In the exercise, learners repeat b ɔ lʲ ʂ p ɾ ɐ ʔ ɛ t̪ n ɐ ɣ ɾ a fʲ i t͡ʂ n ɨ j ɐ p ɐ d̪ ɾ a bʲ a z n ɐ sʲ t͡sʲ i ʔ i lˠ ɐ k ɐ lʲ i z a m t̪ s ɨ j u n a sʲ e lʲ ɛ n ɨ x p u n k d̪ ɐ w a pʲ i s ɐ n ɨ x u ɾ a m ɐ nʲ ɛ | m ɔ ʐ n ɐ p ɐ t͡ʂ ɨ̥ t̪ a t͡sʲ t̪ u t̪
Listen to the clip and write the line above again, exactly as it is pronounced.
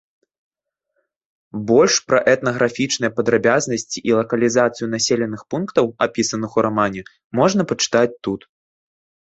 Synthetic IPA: b ɔ lʲ ʂ p ɾ ɐ ʔ ɛ t̪ n ɐ ɣ ɾ a fʲ i t͡ʂ n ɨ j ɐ p ɐ d̪ ɾ a bʲ a z n ɐ sʲ t͡sʲ i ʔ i lˠ ɐ k ɐ lʲ i z a t̪ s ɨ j u n a sʲ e lʲ ɛ n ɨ x p u n k t̪ ɐ w a pʲ i s ɐ n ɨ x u ɾ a m a nʲ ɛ | m ɔ ʐ n ɐ p ɐ t͡ʂ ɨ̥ t̪ a t͡sʲ t̪ u t̪